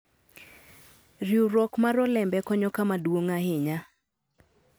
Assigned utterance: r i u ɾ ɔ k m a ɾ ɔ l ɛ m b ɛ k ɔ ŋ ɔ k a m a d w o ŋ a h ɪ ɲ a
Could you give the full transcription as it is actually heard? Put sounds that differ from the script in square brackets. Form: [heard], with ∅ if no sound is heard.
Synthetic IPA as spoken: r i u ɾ ɔ k m a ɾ ɔ l ɛ m b ɛ k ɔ [ɲ] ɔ k a m a d w o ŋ a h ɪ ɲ a